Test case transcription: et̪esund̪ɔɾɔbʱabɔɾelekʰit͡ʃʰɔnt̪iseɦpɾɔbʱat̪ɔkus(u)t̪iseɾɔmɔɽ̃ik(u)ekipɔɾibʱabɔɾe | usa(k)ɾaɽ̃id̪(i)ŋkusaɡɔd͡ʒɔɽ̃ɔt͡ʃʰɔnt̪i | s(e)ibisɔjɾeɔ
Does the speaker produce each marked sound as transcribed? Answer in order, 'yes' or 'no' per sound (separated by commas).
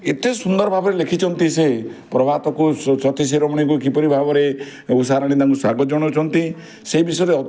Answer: no, yes, no, no, yes